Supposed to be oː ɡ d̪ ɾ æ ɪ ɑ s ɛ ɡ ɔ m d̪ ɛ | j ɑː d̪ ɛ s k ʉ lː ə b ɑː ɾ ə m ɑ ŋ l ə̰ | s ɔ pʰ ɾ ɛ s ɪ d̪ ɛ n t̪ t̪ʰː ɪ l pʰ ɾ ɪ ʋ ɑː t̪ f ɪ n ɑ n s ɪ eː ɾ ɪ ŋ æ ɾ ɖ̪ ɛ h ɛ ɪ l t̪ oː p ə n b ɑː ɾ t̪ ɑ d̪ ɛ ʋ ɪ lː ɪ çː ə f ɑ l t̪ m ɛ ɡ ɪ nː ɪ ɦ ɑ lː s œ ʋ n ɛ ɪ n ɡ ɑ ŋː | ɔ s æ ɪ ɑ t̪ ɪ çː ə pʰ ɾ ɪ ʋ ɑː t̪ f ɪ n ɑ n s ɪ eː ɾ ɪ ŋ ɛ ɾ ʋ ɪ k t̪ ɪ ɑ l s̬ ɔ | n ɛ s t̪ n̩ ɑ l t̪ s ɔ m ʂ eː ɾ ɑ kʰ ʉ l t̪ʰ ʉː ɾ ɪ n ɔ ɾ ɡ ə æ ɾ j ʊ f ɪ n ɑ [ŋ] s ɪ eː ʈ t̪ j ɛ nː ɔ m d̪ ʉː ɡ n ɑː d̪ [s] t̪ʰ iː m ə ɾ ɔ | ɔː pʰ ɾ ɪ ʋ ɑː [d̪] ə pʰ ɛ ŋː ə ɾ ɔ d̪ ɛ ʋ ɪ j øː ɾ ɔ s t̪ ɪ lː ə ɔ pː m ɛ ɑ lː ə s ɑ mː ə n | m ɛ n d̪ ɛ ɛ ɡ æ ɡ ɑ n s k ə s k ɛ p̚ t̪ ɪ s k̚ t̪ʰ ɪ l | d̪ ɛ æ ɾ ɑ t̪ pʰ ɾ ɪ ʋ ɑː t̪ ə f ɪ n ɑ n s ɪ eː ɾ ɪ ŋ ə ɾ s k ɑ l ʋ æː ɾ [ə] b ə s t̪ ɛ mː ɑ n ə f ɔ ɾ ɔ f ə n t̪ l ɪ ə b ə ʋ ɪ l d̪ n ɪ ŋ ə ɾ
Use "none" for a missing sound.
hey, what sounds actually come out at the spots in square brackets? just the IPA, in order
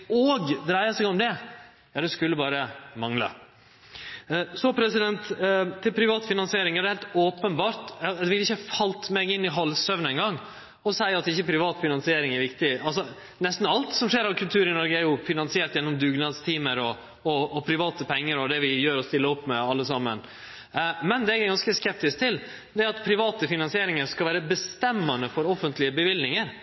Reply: n, s, t̪, ə

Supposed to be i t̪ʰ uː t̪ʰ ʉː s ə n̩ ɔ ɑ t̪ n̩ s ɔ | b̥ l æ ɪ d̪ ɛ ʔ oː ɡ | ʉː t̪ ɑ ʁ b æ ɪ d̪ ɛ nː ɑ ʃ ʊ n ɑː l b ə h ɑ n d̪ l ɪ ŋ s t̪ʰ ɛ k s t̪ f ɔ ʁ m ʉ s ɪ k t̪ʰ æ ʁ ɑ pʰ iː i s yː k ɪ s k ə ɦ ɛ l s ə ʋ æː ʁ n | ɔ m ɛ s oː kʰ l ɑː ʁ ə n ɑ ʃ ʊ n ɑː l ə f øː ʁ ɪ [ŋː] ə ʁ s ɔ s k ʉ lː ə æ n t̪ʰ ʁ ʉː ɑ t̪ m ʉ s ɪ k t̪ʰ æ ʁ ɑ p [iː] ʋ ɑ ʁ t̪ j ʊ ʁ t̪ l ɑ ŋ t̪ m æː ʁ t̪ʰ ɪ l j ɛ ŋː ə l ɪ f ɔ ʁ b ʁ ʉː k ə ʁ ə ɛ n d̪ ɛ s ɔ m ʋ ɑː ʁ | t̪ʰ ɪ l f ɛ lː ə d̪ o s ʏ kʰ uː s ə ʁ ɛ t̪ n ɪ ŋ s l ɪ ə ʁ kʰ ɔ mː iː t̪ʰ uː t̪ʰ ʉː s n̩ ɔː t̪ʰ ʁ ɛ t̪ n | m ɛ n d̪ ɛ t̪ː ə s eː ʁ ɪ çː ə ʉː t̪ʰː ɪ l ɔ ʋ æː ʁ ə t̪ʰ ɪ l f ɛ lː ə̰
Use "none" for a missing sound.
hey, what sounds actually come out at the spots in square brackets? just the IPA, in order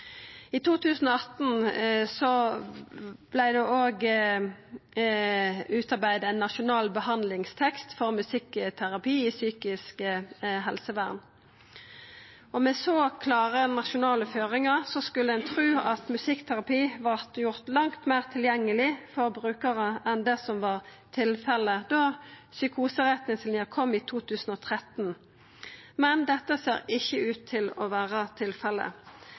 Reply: ŋ, iː

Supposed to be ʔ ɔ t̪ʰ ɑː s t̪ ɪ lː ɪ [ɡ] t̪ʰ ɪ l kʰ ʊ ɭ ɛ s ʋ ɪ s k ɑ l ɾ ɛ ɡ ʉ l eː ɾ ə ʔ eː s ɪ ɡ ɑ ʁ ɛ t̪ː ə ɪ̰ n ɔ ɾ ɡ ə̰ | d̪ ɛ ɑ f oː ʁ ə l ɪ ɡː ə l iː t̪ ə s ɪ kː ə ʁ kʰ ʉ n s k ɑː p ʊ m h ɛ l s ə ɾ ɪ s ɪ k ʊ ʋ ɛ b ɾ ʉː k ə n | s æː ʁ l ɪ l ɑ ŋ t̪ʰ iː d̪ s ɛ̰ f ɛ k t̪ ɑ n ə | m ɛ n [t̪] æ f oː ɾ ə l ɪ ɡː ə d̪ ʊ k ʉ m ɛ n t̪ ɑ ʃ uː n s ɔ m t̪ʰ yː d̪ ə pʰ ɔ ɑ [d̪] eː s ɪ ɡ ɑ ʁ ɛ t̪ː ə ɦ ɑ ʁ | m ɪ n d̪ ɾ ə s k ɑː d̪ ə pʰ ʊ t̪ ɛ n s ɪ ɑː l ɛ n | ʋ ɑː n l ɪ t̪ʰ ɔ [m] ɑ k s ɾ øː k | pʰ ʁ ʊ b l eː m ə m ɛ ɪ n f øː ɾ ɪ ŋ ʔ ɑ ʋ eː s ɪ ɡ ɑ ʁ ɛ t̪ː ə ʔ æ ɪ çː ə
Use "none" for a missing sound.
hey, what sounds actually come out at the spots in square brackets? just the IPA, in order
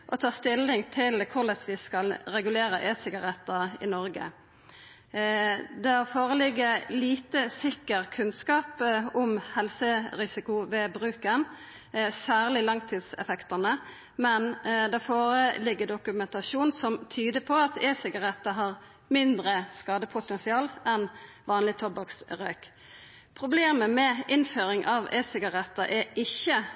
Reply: ŋ, d̪, t̪, b

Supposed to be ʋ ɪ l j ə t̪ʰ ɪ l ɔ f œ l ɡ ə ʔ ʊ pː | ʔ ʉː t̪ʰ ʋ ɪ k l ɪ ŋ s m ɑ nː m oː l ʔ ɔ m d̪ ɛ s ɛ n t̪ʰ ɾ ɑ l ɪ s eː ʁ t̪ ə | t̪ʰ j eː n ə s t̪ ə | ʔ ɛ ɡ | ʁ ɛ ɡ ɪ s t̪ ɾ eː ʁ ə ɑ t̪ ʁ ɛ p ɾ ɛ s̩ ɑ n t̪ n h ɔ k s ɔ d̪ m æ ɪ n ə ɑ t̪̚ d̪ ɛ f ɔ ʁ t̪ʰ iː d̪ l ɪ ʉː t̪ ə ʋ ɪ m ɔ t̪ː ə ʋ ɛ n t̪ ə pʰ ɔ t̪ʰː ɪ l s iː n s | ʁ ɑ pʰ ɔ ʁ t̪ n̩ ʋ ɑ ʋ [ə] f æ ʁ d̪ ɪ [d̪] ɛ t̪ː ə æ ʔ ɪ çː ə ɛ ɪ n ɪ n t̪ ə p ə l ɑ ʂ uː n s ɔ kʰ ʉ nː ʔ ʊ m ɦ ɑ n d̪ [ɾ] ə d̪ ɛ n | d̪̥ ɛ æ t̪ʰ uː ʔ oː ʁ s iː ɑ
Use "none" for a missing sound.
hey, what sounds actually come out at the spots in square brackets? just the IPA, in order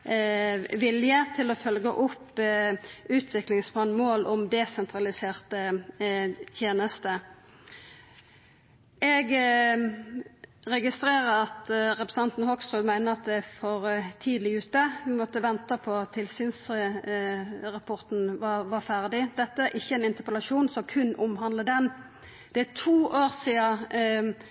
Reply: ɑ, d̪, l

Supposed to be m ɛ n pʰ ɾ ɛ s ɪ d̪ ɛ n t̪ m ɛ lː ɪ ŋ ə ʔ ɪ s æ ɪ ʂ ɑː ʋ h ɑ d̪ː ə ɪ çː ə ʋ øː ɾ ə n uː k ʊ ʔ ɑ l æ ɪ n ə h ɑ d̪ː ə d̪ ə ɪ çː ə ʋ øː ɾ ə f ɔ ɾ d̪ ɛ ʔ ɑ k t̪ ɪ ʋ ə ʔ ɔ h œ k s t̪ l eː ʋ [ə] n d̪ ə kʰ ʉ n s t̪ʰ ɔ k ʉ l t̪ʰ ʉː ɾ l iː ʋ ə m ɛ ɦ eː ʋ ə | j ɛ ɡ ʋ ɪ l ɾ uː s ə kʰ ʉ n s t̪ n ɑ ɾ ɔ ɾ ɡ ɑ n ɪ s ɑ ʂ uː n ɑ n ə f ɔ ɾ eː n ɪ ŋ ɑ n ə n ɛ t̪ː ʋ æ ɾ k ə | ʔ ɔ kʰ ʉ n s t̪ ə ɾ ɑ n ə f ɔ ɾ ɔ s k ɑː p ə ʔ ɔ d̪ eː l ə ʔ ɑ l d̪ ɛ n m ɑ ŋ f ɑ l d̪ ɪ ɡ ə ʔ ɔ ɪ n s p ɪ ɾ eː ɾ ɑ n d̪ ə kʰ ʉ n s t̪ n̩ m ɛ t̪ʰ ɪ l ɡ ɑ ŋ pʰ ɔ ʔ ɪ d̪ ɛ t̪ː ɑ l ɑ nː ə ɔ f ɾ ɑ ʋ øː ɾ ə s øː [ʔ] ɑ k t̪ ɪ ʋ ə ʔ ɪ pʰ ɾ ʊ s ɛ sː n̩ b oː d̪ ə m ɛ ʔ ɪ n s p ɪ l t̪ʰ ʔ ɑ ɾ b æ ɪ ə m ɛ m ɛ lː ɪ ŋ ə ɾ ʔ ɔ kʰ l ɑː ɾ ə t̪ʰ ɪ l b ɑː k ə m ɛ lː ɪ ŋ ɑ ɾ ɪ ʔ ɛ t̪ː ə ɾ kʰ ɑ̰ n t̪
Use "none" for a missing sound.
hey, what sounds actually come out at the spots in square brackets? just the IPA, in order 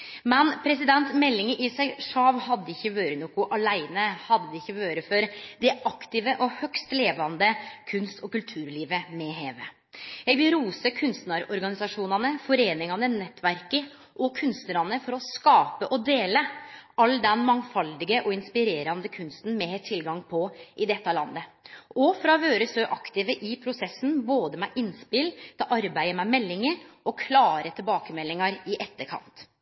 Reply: ɑ, ʔ

